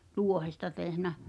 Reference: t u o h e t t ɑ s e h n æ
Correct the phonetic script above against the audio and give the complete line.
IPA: t u o h e s t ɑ t e h n æ